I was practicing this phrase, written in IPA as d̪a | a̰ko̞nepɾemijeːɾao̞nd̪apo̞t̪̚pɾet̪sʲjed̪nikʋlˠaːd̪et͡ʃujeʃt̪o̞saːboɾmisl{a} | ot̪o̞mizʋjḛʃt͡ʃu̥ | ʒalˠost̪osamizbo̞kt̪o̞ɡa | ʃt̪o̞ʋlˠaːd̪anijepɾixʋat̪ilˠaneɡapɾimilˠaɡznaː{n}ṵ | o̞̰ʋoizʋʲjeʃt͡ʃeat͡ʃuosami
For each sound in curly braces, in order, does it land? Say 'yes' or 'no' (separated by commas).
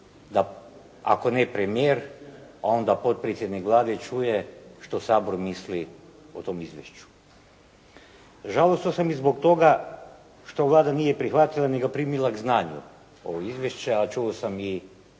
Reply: no, no